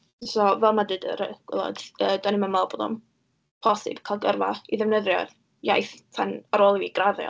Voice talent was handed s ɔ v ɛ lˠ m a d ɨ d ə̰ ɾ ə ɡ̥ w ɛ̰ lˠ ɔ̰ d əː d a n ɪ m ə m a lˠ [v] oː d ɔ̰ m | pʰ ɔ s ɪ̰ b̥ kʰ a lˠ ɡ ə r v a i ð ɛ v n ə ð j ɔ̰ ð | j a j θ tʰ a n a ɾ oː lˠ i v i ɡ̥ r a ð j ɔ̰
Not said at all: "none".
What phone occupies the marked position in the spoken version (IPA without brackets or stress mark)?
b